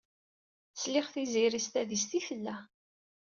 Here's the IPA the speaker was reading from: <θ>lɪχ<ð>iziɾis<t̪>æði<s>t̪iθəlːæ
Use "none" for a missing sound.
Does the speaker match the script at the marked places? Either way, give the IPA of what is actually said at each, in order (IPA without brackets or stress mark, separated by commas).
s, θ, t̪, s